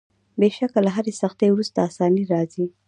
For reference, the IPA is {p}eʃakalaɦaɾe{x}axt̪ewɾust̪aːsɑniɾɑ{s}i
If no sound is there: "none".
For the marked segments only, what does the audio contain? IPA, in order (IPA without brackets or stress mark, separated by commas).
b, s, z